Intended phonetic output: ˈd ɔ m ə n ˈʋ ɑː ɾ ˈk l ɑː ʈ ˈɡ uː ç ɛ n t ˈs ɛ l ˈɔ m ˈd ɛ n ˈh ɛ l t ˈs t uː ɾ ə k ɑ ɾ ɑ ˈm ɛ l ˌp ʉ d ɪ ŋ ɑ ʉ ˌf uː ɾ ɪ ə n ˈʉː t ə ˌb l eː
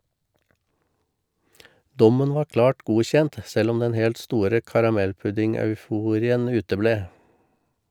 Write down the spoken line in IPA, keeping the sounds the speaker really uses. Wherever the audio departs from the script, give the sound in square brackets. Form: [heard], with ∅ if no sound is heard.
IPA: ˈd ɔ m ə n ˈʋ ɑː ɾ ˈk l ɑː ʈ ˈɡ uː ç ɛ n t ˈs ɛ l ˈɔ m ˈd ɛ n ˈh ɛ l t ˈs t uː ɾ ə k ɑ ɾ ɑ ˈm ɛ l ˌp ʉ d ɪ ŋ ɑ ʉ ˌf uː ɾ ɪ ə n ˈʉː t ə ˌb l eː